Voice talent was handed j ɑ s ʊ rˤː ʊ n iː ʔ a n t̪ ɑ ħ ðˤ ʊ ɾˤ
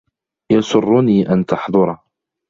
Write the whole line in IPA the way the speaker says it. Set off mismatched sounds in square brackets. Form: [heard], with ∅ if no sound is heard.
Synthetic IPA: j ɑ s ʊ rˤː ʊ n iː ʔ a n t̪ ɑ ħ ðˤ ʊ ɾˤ